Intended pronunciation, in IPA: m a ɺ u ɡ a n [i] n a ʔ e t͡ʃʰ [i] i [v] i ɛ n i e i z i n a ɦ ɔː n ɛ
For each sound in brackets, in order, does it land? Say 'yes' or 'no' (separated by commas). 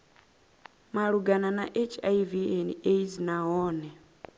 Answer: no, no, yes